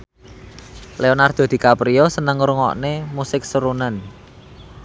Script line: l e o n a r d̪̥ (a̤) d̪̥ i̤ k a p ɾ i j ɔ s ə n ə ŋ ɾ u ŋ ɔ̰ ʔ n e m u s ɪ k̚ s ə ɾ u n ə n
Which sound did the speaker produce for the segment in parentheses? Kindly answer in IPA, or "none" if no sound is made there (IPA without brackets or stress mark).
a̤